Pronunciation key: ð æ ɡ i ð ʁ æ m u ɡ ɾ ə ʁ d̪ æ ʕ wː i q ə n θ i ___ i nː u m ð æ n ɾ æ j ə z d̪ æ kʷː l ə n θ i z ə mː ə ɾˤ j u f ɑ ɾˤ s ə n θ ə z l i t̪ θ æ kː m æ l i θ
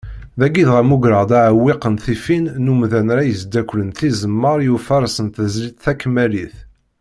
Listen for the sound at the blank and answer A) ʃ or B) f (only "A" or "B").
B